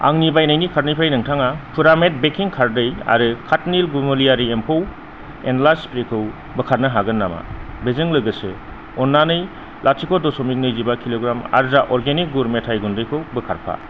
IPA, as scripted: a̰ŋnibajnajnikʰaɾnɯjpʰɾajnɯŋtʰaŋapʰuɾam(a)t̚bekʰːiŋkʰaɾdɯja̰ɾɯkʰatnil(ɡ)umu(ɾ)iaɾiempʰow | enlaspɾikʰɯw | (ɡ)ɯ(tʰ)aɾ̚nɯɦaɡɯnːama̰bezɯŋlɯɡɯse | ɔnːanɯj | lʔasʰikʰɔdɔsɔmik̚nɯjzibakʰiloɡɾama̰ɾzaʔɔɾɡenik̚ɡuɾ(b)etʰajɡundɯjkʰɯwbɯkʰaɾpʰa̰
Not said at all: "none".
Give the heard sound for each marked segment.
e, ɡ, l, b, kʰ, m

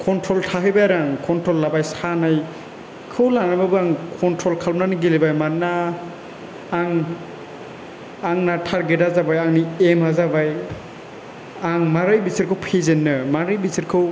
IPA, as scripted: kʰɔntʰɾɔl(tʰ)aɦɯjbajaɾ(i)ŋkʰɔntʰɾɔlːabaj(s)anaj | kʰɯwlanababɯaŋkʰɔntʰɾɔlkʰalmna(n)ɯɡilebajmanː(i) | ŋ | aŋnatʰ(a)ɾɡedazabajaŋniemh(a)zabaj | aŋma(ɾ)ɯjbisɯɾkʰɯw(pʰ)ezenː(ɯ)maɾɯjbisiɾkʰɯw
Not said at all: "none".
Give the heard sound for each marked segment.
tʰ, a, s, n, a, a, a, ɾ, pʰ, ɯ

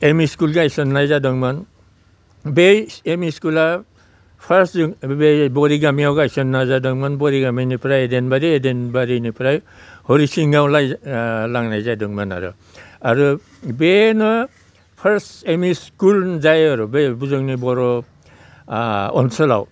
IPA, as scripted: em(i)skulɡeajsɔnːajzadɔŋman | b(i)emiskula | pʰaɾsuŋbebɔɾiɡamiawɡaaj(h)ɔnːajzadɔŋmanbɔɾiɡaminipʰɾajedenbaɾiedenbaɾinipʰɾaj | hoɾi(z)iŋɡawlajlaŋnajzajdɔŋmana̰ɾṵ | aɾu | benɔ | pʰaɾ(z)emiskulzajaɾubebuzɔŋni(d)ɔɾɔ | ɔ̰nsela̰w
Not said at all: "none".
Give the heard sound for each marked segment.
i, e, s, s, s, b

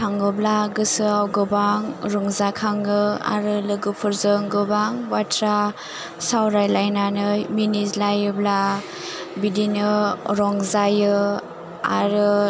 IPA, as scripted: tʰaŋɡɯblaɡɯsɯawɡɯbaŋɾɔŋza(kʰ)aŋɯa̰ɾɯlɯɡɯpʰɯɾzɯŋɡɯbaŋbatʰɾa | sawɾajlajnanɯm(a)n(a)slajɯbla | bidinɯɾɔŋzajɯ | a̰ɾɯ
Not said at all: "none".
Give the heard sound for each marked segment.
kʰ, i, i

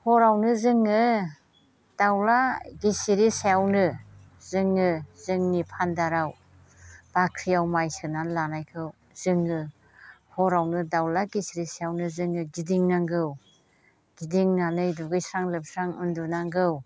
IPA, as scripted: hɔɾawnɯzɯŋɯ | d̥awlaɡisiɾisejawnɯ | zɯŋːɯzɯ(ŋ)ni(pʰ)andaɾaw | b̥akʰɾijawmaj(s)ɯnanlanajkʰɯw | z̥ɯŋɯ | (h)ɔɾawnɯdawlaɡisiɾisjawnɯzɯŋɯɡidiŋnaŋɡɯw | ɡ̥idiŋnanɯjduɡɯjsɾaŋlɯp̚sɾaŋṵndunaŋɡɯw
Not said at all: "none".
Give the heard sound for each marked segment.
ŋ, pʰ, s, h

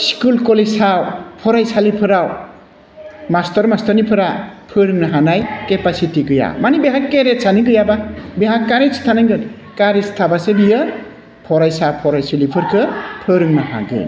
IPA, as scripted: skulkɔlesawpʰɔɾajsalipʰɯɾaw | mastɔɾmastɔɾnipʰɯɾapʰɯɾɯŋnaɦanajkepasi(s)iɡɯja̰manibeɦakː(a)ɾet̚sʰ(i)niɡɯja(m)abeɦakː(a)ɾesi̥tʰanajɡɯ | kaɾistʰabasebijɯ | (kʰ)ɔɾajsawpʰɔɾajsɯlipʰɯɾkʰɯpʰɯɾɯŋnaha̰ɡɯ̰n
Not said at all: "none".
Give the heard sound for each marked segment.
t, e, a, b, a, pʰ

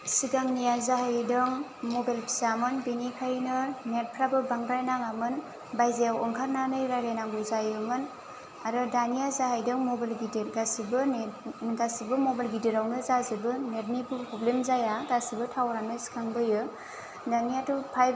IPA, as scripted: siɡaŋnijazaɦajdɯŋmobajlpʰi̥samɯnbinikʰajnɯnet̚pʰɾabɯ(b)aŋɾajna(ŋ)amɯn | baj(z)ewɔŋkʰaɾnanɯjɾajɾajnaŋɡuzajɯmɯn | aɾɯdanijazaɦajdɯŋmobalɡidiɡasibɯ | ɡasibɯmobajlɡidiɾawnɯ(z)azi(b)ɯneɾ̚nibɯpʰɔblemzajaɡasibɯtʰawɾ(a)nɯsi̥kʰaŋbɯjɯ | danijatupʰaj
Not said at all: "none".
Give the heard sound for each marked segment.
b, ŋ, z, z, b, a

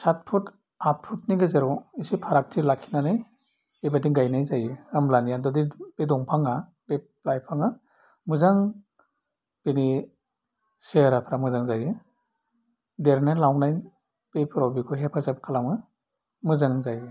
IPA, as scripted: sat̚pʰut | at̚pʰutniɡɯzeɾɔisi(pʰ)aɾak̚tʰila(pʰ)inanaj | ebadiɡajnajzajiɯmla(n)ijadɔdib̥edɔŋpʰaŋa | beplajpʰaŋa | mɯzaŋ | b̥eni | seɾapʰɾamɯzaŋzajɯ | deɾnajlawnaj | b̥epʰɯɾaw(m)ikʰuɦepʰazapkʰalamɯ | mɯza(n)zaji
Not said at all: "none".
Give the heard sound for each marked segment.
pʰ, kʰ, n, b, ŋ

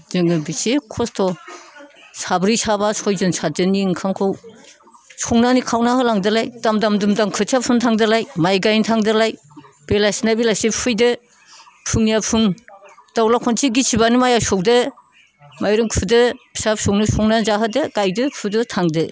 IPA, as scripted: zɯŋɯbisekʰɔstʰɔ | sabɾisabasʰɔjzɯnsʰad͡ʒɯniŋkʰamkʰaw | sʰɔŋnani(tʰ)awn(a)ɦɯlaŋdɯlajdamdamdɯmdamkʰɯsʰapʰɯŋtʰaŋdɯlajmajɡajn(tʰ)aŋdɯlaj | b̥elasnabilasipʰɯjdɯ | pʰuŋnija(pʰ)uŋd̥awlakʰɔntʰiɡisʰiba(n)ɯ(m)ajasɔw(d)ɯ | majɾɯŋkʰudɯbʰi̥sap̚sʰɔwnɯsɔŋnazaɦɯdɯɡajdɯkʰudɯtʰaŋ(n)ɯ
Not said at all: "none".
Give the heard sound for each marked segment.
kʰ, a, tʰ, pʰ, n, m, d, d

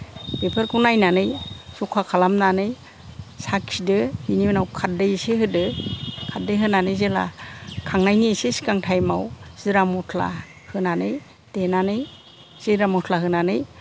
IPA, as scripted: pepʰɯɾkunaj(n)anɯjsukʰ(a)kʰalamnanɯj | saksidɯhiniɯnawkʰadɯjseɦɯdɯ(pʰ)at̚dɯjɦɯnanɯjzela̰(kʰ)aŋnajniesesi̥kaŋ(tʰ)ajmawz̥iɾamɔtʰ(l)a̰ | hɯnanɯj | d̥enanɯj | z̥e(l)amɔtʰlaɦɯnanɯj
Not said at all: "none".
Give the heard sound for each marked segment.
n, a, kʰ, kʰ, tʰ, l, ɾ

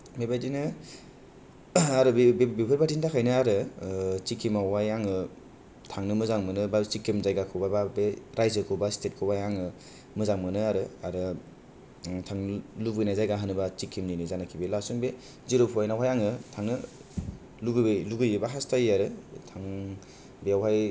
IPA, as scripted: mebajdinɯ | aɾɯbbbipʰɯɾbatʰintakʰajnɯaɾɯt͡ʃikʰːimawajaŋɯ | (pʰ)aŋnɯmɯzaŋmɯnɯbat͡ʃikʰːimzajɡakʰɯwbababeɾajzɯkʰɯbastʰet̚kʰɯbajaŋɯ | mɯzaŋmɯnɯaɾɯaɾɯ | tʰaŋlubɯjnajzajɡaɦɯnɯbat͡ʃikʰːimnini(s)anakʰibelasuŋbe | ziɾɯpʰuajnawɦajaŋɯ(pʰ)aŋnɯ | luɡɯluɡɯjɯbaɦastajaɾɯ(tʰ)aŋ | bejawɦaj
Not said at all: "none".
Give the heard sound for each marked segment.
tʰ, z, tʰ, tʰ

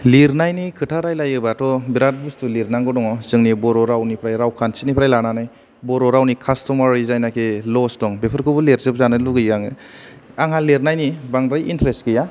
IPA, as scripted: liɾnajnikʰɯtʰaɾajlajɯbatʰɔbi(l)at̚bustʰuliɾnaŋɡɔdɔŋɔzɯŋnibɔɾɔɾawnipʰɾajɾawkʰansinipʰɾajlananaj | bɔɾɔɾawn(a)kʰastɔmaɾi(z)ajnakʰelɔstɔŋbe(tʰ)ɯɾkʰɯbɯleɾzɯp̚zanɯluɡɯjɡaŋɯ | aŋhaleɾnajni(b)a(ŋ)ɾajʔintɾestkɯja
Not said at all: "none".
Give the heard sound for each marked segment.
ɾ, i, z, pʰ, b, ŋ

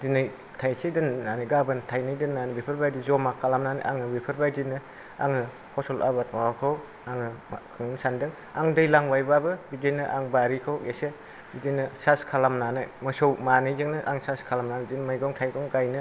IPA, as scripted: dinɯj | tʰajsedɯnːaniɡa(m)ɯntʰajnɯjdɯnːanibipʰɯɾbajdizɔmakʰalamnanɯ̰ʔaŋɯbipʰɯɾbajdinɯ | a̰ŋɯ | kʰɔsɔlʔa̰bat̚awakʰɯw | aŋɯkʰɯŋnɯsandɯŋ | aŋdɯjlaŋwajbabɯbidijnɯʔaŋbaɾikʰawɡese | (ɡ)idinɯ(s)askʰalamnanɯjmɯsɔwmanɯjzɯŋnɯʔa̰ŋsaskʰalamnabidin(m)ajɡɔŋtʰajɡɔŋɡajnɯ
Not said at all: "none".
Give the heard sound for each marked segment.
b, b, s, m

